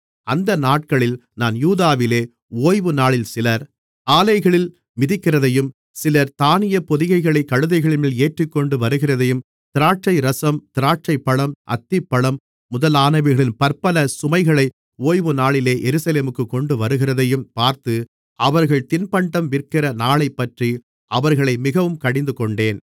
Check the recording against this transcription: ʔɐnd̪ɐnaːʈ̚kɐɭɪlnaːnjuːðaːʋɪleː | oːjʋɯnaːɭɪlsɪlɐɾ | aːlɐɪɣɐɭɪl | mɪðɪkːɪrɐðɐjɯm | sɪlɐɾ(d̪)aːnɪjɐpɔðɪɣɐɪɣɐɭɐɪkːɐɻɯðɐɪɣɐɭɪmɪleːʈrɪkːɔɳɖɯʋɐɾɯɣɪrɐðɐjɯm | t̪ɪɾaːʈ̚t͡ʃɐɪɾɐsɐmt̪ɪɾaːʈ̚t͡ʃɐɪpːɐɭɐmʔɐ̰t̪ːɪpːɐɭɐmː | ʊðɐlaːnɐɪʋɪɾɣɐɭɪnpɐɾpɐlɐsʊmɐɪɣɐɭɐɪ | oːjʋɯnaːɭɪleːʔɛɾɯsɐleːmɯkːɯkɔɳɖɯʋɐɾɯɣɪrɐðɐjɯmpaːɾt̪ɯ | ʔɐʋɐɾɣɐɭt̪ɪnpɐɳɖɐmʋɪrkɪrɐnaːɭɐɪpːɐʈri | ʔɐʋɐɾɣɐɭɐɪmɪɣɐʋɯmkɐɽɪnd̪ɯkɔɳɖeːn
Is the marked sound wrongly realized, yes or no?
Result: yes